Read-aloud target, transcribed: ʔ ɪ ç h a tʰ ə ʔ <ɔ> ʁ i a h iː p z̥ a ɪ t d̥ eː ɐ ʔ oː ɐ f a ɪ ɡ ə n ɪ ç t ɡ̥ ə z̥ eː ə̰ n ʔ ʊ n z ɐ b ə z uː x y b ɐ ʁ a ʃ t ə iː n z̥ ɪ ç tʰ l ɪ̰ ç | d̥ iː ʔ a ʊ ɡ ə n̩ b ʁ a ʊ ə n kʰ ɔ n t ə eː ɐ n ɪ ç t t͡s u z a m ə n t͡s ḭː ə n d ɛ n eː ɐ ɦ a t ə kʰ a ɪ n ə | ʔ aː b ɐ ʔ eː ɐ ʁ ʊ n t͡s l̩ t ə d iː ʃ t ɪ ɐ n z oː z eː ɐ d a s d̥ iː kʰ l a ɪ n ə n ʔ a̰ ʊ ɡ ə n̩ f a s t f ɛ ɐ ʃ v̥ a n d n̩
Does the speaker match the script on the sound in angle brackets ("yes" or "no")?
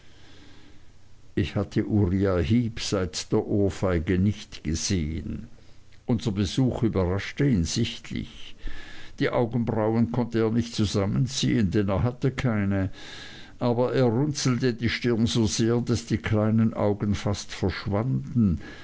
no